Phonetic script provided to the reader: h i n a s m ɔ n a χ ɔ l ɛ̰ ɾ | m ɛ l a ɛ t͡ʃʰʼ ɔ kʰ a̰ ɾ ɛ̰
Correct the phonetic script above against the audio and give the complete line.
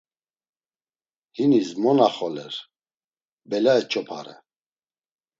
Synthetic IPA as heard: h i n i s m ɔ n a χ ɔ l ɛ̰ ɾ | b ɛ l a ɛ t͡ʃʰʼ ɔ pʰ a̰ ɾ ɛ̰